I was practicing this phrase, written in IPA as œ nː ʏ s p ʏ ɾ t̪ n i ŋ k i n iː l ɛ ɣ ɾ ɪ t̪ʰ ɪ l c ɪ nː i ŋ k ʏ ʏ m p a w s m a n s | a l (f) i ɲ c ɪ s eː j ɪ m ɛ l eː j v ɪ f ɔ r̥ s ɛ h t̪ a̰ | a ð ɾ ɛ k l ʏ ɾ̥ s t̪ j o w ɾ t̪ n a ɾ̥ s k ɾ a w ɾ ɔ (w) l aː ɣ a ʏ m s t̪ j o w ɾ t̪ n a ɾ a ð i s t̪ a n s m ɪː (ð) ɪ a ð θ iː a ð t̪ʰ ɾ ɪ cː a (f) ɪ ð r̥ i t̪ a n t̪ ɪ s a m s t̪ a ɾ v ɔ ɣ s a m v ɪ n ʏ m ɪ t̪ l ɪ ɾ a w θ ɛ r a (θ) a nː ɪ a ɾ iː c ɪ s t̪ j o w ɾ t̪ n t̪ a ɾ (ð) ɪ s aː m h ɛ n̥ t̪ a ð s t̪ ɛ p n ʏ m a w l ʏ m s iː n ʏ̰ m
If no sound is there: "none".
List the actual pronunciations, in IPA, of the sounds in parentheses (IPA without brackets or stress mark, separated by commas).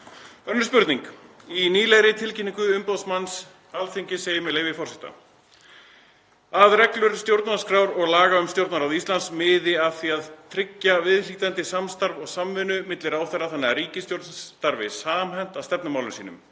θ, ɣ, ð, v, θ, v